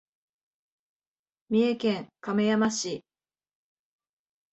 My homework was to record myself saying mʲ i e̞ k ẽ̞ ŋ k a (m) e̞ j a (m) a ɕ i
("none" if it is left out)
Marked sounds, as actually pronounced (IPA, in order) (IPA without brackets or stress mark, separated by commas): m, m